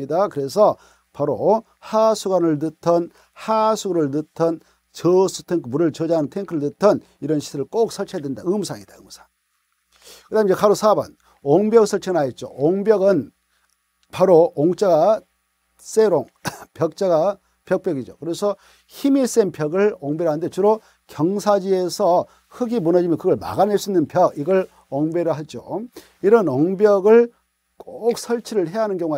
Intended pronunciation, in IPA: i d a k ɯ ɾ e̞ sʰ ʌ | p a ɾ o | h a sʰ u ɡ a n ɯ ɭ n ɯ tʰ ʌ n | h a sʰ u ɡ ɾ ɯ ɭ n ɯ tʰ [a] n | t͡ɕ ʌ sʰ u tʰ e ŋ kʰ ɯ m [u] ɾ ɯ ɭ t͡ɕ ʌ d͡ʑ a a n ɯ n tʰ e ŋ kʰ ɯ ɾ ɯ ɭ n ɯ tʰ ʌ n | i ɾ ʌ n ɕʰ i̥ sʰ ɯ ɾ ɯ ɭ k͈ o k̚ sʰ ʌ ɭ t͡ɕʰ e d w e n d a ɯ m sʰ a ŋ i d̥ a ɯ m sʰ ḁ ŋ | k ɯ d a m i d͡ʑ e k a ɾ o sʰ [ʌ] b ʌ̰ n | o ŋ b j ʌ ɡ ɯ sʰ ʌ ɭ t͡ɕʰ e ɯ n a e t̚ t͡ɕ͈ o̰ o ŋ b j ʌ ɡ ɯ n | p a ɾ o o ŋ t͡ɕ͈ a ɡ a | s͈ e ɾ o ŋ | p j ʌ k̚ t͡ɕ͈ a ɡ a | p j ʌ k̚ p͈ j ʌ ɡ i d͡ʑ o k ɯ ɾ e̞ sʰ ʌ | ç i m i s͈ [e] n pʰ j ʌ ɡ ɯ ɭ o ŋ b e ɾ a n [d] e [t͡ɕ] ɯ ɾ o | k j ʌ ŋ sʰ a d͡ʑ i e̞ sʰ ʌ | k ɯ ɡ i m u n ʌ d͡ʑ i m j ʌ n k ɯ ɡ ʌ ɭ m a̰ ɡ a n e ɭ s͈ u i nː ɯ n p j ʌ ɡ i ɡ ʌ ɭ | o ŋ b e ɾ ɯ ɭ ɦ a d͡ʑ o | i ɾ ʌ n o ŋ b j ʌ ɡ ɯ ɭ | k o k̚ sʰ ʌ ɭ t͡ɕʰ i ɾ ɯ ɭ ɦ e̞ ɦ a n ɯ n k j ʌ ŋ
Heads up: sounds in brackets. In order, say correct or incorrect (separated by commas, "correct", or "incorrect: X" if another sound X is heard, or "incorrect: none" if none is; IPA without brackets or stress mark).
incorrect: ʌ, correct, incorrect: a, correct, correct, correct